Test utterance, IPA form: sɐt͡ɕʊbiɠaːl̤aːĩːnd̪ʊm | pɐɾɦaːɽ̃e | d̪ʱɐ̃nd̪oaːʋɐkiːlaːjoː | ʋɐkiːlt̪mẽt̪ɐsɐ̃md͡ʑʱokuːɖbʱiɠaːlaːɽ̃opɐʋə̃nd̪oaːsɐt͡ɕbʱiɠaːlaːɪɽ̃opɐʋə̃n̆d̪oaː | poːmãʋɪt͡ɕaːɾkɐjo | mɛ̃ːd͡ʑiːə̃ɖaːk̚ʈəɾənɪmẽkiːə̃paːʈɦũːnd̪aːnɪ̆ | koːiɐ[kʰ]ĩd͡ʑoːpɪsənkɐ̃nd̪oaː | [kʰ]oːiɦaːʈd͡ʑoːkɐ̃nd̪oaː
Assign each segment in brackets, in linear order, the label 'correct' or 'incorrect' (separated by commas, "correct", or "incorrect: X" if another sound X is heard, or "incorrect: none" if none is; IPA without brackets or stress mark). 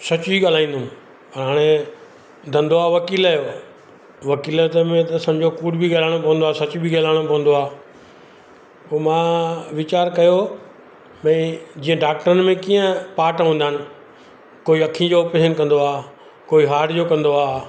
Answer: correct, incorrect: k